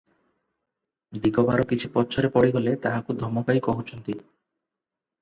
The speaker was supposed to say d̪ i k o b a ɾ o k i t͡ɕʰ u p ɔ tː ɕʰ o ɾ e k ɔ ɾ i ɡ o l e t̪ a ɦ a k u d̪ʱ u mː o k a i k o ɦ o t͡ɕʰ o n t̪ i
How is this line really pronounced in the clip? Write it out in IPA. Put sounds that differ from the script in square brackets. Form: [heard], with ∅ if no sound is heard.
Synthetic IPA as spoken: d̪ i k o b a ɾ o k i t͡ɕʰ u p ɔ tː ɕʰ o ɾ e [p] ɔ [ɽ] i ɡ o l e t̪ a ɦ a k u d̪ʱ [ɔ] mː o k a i k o ɦ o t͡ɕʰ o n t̪ i